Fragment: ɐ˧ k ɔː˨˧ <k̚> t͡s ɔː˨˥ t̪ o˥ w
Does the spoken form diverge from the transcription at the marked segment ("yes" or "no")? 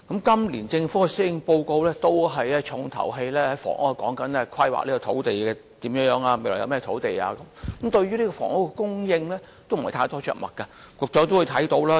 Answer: no